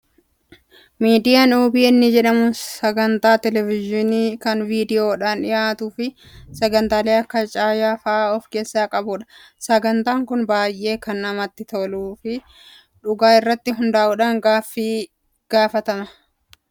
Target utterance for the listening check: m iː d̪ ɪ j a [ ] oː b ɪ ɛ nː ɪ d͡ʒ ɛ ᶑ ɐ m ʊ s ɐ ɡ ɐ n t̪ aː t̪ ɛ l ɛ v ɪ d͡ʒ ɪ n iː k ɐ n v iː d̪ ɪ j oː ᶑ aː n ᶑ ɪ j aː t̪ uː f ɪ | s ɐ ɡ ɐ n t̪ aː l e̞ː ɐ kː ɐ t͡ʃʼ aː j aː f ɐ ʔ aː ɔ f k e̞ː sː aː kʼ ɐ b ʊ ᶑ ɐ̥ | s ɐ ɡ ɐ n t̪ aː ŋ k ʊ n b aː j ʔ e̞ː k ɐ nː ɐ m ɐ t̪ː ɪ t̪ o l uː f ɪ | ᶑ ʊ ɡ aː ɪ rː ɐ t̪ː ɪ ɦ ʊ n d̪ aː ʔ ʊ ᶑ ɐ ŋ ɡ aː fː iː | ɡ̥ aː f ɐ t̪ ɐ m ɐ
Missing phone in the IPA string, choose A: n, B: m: A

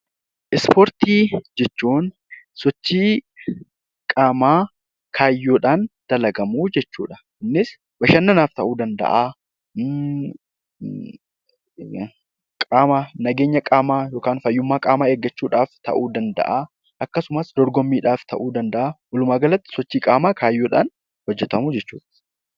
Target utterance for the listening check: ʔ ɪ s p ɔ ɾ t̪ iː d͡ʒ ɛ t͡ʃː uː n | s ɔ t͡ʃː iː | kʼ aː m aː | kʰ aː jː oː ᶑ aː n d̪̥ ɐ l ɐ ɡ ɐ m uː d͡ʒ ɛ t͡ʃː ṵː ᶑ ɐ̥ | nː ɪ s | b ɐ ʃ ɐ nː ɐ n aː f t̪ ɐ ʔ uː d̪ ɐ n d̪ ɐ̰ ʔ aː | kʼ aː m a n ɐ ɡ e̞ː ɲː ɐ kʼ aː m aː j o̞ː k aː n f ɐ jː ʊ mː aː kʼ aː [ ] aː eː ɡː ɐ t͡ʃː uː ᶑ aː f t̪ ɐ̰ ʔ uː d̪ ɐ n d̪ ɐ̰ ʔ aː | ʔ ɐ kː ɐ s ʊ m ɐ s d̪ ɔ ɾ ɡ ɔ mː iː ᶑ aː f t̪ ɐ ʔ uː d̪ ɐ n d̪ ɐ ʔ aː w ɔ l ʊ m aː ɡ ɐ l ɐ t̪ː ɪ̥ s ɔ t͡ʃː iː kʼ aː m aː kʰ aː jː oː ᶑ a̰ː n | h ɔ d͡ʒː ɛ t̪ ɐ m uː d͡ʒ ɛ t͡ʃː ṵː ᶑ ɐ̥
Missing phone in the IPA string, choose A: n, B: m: B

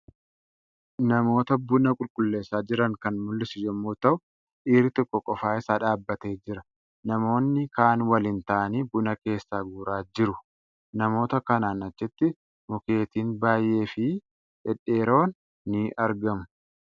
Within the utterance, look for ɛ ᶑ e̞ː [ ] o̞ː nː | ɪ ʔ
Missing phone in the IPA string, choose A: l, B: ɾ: B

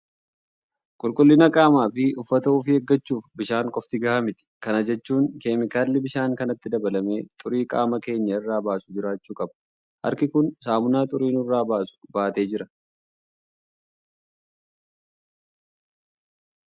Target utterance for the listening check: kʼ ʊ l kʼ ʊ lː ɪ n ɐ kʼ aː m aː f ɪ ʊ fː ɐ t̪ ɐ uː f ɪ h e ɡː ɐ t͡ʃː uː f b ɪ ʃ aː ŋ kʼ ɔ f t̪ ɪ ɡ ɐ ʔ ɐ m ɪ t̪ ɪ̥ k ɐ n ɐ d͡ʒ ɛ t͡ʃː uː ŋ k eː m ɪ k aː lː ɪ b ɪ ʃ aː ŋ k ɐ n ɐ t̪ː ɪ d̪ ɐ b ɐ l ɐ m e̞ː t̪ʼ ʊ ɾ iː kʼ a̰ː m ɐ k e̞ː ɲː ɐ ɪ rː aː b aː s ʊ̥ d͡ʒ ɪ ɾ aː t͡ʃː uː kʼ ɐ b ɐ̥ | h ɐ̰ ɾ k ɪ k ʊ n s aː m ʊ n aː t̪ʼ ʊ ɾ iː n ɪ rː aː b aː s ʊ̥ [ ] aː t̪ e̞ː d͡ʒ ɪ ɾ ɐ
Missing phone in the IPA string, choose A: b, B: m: A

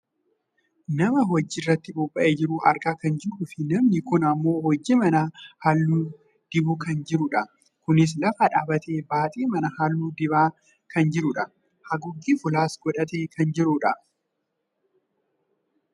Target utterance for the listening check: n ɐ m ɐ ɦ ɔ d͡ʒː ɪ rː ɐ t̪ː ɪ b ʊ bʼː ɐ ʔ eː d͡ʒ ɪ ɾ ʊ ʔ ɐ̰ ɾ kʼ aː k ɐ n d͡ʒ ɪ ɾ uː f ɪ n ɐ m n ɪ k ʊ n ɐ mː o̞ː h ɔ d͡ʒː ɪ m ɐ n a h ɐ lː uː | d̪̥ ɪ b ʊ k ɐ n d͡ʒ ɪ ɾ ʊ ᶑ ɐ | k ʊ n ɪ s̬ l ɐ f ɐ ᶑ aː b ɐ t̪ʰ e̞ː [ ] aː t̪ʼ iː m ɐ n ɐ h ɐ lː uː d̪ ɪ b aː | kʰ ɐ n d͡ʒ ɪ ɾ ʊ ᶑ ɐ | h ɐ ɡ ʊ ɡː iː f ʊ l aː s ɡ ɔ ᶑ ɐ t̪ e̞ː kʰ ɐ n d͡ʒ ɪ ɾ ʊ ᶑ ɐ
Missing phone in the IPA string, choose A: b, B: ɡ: A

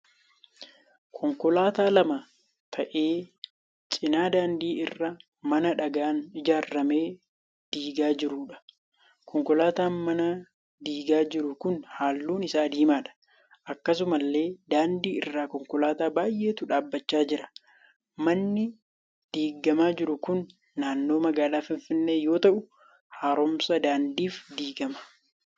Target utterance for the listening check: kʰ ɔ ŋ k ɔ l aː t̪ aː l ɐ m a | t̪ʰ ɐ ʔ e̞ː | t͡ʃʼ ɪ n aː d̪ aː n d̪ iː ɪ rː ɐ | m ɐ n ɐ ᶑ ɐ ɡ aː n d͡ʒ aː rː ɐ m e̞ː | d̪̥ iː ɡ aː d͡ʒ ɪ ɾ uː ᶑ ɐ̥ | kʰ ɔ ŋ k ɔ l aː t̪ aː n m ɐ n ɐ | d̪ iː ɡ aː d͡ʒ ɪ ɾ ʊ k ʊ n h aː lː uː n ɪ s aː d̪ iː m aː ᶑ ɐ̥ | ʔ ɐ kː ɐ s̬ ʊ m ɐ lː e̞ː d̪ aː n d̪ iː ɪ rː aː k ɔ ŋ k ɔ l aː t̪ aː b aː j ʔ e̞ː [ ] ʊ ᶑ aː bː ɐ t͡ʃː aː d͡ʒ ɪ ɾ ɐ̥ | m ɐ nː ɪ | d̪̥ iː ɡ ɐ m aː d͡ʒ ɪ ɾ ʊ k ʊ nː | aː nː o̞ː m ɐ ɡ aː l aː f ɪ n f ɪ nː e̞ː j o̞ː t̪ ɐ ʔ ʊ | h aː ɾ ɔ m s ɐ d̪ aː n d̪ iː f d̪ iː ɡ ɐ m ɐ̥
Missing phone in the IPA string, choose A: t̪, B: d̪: A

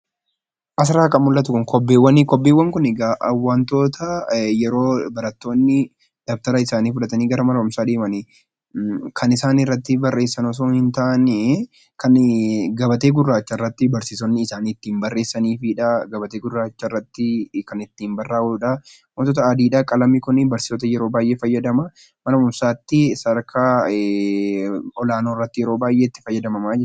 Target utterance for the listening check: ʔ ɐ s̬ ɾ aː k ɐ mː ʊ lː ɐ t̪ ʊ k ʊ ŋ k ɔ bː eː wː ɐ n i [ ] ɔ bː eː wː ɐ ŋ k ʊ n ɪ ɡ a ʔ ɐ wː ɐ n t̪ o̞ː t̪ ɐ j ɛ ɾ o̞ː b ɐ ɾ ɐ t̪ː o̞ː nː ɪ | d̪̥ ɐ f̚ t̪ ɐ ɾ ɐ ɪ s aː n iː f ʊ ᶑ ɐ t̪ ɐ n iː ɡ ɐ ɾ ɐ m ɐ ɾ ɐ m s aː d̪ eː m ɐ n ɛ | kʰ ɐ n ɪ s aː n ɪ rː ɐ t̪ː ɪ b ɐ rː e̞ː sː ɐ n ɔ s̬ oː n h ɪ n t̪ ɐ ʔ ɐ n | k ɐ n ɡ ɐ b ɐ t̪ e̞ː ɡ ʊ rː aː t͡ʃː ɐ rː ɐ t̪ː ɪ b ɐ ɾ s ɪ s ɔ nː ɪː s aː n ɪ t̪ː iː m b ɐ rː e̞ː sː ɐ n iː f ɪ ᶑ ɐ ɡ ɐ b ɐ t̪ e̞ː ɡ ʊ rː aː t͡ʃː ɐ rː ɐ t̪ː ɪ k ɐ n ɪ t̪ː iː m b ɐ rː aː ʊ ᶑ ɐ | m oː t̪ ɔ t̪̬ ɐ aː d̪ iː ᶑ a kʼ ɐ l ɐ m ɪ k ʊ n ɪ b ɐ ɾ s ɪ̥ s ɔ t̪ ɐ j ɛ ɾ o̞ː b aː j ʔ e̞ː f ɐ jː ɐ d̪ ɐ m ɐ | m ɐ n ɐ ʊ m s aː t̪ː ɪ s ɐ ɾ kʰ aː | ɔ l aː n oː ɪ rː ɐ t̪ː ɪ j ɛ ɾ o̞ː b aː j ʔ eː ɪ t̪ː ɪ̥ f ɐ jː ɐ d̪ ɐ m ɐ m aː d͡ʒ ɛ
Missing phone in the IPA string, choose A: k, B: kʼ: A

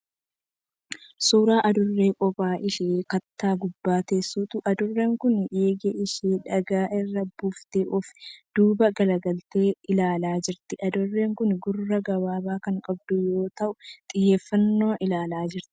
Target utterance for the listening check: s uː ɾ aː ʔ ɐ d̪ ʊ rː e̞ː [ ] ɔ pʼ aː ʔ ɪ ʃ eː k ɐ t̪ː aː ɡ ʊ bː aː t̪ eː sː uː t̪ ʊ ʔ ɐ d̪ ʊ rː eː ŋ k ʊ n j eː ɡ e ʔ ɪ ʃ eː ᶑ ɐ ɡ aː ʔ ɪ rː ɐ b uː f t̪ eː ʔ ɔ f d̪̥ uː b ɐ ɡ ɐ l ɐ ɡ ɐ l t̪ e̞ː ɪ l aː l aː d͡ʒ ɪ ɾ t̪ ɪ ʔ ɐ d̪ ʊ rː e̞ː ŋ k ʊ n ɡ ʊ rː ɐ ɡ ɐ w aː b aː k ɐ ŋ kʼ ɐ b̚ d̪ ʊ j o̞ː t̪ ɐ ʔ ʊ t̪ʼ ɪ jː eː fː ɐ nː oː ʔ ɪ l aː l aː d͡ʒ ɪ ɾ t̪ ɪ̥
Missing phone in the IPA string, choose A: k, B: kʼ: B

